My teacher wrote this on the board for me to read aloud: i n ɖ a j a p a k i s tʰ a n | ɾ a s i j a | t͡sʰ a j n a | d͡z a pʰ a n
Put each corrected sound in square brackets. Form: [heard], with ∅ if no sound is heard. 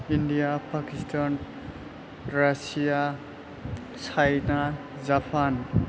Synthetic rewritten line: i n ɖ [i] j a p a k i s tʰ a n | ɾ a s i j a | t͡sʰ a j n a | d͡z a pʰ a n